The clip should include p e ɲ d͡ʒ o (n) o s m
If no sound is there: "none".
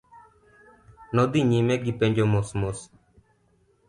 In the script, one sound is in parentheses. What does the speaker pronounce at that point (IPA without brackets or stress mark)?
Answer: m